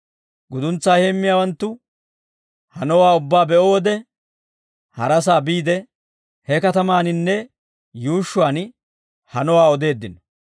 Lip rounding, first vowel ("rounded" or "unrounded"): rounded